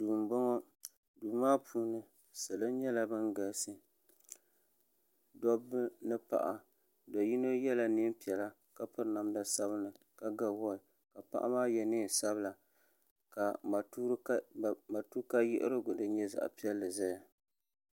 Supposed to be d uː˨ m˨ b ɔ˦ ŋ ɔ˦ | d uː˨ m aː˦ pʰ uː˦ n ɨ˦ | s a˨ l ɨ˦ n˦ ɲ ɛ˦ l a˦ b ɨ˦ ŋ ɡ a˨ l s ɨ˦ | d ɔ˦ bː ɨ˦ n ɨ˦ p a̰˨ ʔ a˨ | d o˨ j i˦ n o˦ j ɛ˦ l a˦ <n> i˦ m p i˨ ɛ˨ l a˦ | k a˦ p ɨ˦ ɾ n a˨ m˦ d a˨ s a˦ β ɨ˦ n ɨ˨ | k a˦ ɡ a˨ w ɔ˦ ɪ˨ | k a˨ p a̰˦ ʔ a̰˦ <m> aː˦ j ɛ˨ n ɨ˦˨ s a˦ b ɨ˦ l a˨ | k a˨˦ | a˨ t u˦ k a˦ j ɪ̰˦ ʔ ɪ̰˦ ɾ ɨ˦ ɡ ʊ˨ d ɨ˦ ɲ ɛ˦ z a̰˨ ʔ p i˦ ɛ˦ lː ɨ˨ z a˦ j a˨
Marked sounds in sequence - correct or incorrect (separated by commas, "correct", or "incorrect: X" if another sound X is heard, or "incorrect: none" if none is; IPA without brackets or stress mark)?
correct, correct